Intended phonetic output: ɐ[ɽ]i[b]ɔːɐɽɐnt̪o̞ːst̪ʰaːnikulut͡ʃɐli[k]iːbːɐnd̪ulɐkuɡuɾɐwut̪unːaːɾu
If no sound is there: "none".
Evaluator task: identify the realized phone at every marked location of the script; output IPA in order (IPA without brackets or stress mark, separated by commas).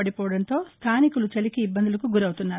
ɽ, p, k